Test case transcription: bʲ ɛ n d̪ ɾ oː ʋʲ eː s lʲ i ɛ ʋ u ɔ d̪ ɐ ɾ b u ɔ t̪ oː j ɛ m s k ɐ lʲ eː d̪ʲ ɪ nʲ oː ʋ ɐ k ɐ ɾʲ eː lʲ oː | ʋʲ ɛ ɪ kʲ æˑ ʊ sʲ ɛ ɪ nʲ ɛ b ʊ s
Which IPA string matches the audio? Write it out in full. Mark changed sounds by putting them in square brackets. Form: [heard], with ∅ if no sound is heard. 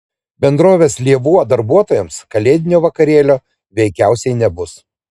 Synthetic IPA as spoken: bʲ ɛ n d̪ ɾ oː ʋʲ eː s lʲ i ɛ ʋ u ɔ d̪ ɐ ɾ b u ɔ t̪ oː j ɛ m s k ɐ lʲ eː d̪ʲ ɪ nʲ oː ʋ ɐ k ɐ ɾʲ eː lʲ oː | ʋʲ ɛ ɪ kʲ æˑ ʊ sʲ ɛ ɪ nʲ ɛ b ʊ s